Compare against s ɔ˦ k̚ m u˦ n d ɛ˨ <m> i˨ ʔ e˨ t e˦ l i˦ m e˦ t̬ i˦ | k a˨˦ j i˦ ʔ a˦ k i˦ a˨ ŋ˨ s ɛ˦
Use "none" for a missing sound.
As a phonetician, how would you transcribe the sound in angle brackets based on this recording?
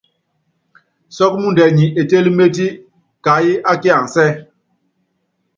ɲ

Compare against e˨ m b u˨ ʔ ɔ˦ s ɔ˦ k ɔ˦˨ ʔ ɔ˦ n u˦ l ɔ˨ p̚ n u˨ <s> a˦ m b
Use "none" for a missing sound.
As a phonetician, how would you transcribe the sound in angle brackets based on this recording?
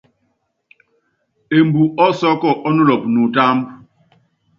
t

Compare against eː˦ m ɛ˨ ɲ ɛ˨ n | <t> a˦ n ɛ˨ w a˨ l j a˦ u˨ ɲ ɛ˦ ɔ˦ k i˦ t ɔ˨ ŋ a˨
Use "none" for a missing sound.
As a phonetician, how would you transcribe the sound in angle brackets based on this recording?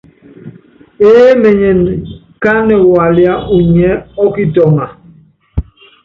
k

